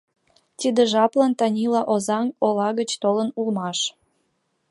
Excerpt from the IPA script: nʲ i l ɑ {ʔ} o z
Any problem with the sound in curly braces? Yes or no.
no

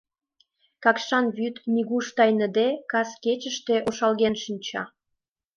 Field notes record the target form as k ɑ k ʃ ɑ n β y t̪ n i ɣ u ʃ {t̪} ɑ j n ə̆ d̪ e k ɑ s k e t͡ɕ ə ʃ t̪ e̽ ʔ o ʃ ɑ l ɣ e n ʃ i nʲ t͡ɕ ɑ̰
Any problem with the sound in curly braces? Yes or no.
no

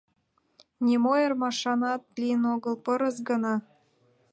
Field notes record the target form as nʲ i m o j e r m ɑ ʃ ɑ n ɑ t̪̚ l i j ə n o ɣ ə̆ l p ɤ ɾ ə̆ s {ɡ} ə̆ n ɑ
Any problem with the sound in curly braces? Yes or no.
no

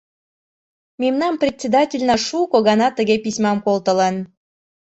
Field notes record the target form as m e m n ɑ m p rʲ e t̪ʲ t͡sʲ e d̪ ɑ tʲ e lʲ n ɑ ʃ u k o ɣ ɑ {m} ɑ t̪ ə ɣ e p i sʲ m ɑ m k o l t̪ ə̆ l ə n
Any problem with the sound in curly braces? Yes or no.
yes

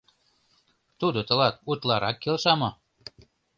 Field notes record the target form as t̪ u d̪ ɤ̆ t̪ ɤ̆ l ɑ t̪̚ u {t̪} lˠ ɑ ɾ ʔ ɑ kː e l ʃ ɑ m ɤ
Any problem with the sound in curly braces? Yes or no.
no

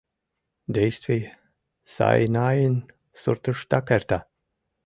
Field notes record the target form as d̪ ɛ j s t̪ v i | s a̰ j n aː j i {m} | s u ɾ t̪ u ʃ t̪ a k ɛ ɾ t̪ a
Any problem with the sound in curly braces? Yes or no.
yes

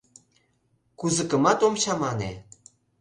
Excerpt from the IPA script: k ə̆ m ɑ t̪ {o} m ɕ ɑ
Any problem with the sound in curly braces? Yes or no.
no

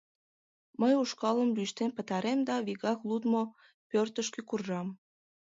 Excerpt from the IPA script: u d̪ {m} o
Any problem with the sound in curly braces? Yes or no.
no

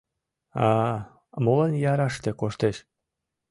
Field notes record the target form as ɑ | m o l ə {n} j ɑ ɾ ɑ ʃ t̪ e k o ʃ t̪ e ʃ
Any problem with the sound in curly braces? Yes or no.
no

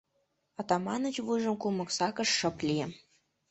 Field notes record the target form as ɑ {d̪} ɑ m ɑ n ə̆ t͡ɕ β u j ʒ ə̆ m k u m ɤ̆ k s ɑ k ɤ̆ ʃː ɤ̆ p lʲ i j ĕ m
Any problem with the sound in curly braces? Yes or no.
yes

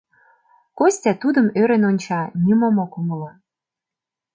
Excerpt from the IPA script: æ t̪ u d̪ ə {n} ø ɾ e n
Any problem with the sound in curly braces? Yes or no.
yes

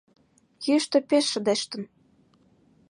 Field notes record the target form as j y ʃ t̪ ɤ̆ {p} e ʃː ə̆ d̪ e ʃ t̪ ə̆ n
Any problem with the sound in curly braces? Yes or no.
no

